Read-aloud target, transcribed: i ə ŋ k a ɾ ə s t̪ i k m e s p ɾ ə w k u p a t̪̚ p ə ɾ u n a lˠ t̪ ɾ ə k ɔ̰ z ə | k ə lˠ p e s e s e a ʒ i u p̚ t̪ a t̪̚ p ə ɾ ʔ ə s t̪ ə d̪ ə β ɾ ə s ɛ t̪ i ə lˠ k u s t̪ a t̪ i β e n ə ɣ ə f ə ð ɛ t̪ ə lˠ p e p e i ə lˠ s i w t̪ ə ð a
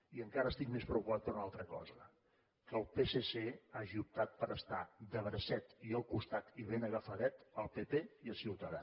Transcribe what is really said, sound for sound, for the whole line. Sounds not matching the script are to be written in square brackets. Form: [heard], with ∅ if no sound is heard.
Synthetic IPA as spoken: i ə ŋ k a ɾ ə s t̪ i k m e s p ɾ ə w k u p a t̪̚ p ə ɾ u n a lˠ t̪ ɾ ə k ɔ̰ z ə | k ə lˠ p e s e s e a ʒ i u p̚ t̪ a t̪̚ p ə ɾ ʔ ə s t̪ [a] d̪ ə β ɾ ə s ɛ t̪ i ə lˠ k u s t̪ a t̪ i β e n ə ɣ ə f ə ð ɛ t̪ ə lˠ p e p e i ə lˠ s i w t̪ ə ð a